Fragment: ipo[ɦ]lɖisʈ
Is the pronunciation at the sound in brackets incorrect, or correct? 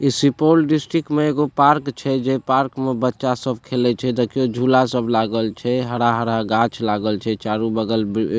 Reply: incorrect